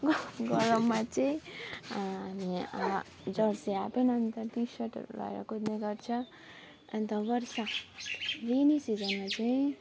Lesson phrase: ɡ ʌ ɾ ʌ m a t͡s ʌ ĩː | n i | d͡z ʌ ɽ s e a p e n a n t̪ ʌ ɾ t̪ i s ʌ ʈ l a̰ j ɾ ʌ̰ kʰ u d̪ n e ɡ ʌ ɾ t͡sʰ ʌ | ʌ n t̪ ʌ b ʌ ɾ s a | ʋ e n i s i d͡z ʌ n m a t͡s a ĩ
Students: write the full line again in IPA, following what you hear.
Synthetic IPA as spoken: ɡ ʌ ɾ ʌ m a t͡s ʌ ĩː | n i | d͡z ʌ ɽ s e a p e n ʌ n t̪ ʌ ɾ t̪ i s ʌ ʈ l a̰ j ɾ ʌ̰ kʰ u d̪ n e ɡ ʌ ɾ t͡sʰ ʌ | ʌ n t̪ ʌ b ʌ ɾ s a | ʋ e n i s i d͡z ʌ n m a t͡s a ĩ